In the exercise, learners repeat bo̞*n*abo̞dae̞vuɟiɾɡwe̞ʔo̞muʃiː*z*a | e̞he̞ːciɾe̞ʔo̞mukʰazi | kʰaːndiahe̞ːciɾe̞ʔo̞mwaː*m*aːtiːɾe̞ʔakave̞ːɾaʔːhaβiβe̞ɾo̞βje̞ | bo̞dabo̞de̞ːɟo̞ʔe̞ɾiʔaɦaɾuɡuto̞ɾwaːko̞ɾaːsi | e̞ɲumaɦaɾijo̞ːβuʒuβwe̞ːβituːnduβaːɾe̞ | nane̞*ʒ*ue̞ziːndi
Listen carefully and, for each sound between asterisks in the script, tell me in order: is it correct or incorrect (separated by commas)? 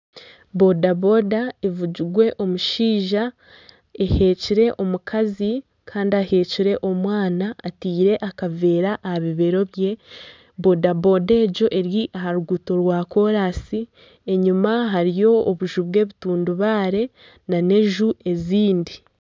incorrect, incorrect, incorrect, correct